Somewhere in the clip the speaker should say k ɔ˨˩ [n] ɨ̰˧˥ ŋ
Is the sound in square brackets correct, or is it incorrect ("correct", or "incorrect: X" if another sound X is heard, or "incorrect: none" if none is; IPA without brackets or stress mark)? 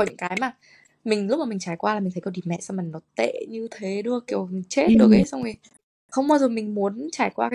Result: incorrect: ɲ